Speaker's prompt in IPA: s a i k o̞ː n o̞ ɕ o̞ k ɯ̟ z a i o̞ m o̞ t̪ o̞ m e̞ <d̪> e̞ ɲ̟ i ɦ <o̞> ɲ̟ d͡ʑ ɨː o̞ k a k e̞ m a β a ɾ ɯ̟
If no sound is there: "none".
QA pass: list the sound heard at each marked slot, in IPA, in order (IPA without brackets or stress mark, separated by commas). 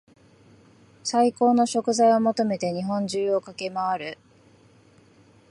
t̪, õ̞